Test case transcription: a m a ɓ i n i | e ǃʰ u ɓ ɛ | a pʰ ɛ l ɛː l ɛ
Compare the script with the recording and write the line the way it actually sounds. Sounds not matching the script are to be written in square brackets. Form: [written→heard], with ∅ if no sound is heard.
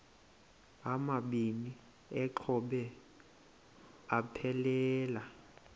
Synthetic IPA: a m a ɓ i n i | [e→ɛ] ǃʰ [u→ɔ] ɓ ɛ | a pʰ ɛ l ɛː l [ɛ→a]